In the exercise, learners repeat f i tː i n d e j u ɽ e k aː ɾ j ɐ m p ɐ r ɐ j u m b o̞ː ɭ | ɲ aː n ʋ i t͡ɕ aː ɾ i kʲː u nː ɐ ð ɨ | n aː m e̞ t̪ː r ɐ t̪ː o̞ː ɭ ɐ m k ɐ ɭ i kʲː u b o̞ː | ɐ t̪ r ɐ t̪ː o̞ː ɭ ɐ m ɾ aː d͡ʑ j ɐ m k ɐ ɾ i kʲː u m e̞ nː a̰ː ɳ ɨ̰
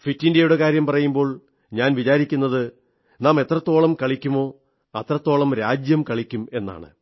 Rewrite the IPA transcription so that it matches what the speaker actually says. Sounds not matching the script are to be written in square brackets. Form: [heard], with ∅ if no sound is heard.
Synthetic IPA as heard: f i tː i n d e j u ɽ e k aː ɾ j ɐ m p ɐ r ɐ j u m b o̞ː ɭ | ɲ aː n ʋ i t͡ɕ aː ɾ i kʲː u nː ɐ ð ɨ | n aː m e̞ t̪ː r ɐ t̪ː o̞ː ɭ ɐ m k ɐ ɭ i kʲː u [m] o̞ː | ɐ t̪ r ɐ t̪ː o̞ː ɭ ɐ m ɾ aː d͡ʑ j ɐ m k ɐ [ɭ] i kʲː u m e̞ nː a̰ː ɳ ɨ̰

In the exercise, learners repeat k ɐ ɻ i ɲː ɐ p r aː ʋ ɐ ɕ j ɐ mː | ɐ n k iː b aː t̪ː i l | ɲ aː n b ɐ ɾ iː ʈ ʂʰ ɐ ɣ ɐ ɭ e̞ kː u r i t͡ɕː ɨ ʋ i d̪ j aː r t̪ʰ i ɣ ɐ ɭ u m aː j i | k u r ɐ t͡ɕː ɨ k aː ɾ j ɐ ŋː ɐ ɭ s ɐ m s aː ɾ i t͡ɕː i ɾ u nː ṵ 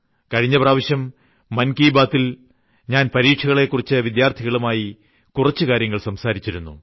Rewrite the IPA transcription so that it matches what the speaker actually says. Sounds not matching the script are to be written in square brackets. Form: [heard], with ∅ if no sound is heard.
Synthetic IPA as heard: k ɐ ɻ i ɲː ɐ p r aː ʋ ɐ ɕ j ɐ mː | ɐ n k iː b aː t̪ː i l | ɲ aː n [p] ɐ ɾ iː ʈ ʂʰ ɐ ɣ ɐ ɭ e̞ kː u r i t͡ɕː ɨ ʋ i d̪ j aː r t̪ʰ i ɣ ɐ ɭ u m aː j i | k u r ɐ t͡ɕː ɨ k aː ɾ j ɐ ŋː ɐ ɭ s ɐ m s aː ɾ i t͡ɕː i ɾ u nː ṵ

